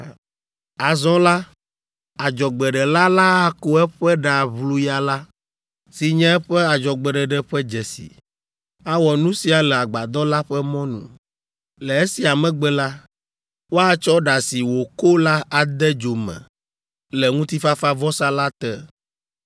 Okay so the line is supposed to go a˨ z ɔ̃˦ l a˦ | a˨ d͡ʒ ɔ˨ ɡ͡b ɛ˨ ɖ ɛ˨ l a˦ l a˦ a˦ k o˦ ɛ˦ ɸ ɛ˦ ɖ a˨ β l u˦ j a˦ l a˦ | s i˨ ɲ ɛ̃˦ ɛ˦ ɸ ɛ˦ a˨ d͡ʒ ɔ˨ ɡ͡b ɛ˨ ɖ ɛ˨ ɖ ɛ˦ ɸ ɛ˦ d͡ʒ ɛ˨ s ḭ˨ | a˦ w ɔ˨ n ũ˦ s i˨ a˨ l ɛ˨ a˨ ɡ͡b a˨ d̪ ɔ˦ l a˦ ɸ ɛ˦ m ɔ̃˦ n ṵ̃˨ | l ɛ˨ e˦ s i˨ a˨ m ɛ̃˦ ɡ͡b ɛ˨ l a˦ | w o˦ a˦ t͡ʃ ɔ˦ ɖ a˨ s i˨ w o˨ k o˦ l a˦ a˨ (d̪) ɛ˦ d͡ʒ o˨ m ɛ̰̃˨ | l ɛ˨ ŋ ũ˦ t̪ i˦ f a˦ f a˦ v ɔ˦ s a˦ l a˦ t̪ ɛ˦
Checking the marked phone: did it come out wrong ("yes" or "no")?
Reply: no